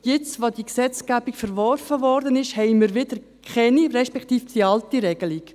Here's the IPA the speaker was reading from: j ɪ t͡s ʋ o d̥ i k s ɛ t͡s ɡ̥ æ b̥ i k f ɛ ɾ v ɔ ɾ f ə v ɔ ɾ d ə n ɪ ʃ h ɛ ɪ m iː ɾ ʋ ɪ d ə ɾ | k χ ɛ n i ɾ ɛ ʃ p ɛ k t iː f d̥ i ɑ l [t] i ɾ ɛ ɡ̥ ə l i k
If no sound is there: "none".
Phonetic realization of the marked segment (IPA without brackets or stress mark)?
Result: t